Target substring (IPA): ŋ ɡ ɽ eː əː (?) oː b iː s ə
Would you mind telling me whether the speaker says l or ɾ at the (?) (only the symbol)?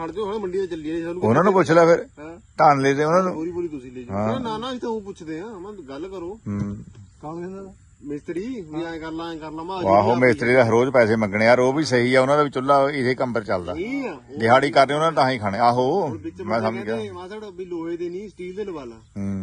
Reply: ɾ